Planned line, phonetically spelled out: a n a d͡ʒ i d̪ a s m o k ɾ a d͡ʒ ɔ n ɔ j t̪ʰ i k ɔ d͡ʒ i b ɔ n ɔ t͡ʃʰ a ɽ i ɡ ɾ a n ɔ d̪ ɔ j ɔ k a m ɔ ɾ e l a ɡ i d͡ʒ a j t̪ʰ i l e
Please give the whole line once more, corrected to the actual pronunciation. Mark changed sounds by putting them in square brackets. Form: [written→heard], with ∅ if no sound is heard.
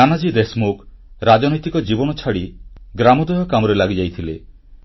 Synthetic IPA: a n a d͡ʒ i d̪ [a→e] s m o k ɾ a d͡ʒ ɔ n ɔ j [t̪ʰ→t̪] i k ɔ d͡ʒ i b ɔ n ɔ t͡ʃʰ a ɽ i ɡ ɾ a [n→m] ɔ d̪ ɔ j ɔ k a m ɔ ɾ e l a ɡ i d͡ʒ a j t̪ʰ i l e